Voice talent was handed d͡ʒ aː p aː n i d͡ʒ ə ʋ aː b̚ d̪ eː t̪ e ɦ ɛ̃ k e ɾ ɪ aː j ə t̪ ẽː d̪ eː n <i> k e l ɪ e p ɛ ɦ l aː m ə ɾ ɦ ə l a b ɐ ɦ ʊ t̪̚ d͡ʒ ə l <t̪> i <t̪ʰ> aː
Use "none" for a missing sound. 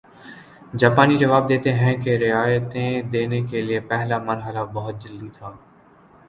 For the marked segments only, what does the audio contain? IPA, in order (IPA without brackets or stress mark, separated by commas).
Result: e, d̪, t̪ʰ